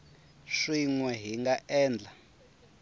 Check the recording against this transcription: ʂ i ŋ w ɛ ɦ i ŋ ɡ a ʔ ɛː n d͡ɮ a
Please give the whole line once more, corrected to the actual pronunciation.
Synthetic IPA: ʂ i ŋ w ɛ ɦ i ŋ ɡ a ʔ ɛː n d͡ɮ a